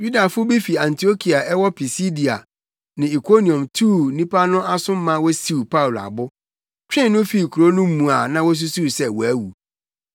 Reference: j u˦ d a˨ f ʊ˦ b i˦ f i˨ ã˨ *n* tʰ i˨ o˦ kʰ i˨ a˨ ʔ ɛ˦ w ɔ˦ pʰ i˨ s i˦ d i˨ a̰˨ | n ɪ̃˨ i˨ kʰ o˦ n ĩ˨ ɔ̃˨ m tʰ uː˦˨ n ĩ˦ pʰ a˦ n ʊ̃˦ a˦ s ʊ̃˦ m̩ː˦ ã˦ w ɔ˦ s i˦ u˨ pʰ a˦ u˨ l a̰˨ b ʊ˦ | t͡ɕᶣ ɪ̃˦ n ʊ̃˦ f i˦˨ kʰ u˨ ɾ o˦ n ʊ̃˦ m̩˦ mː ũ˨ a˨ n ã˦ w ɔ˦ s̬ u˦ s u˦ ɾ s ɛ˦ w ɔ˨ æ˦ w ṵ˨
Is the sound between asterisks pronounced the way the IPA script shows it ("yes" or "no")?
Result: yes